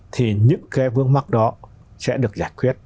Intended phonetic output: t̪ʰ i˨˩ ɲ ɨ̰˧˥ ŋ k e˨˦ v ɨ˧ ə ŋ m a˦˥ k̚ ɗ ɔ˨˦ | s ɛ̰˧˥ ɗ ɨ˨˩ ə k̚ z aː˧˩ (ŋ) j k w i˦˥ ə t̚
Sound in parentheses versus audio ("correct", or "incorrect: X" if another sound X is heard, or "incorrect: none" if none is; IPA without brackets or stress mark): incorrect: none